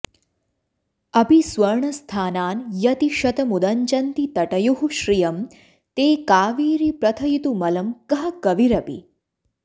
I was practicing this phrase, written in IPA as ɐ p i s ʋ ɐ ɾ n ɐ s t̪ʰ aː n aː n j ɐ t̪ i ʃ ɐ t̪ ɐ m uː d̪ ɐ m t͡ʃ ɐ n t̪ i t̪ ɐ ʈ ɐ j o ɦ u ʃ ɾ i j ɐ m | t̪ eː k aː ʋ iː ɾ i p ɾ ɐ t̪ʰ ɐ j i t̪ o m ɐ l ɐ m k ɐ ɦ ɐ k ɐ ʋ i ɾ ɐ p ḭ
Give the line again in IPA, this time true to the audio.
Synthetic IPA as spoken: ɐ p i s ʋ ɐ ɾ ɳ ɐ s t̪ʰ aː n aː n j ɐ t̪ i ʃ ɐ t̪ ɐ m u d̪ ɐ ɲ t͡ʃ ɐ n t̪ i t̪ ɐ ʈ ɐ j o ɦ u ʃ ɾ i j ɐ m | t̪ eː k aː ʋ iː ɾ i p ɾ ɐ t̪ʰ ɐ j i t̪ u m ɐ l ɐ m k ɐ ɦ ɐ k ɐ ʋ i ɾ ɐ p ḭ